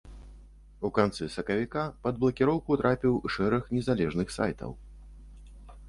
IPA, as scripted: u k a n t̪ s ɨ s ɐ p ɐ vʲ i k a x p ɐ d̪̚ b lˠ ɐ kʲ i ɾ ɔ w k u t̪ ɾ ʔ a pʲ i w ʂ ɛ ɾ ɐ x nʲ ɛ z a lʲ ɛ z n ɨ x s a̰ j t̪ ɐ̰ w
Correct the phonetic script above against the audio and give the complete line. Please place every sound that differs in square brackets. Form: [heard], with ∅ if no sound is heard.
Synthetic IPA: u k a n t̪ s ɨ s ɐ [k] ɐ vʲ i k a [∅] p ɐ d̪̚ b lˠ ɐ kʲ i ɾ ɔ w k u t̪ ɾ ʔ a pʲ i w ʂ ɛ ɾ ɐ x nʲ ɛ z a lʲ ɛ [ʐ] n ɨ x s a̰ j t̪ ɐ̰ w